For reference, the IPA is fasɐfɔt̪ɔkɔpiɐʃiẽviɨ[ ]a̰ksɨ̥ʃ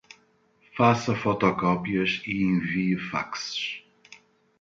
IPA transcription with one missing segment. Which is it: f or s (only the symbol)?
f